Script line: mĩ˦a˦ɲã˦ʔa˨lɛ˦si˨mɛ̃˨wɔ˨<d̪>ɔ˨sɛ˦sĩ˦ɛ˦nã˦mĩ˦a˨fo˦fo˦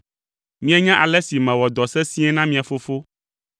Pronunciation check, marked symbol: correct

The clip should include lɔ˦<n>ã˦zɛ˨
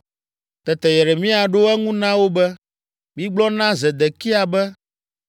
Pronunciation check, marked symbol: correct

